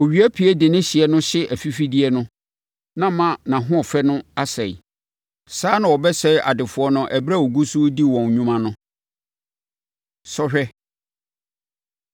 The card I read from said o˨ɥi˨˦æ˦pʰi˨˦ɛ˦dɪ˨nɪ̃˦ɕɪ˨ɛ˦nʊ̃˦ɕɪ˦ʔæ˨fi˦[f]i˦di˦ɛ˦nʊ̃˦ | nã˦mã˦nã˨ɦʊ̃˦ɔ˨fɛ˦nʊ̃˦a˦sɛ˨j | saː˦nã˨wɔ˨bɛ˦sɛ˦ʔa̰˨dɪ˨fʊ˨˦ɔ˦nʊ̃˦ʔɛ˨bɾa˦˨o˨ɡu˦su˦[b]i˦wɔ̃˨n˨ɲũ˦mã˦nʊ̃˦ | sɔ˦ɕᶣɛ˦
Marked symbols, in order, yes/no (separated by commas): yes, no